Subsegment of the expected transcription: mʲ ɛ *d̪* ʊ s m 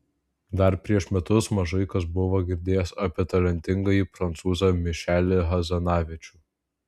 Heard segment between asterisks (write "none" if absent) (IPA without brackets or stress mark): t̪